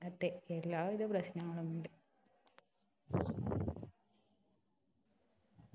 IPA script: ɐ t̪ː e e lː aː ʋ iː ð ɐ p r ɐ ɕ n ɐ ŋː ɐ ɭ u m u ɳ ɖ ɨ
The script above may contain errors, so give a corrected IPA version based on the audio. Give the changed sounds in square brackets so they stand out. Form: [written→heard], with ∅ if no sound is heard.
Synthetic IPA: ɐ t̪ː e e lː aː ʋ [iː→i] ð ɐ p r ɐ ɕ n ɐ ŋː ɐ ɭ u m u ɳ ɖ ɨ